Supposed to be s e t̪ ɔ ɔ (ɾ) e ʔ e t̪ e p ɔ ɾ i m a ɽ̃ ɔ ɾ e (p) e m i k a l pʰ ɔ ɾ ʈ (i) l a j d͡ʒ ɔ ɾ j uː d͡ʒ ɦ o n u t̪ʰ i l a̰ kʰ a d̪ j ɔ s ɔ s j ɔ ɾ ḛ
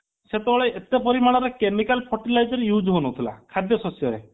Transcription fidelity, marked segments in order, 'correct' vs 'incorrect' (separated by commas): incorrect, incorrect, correct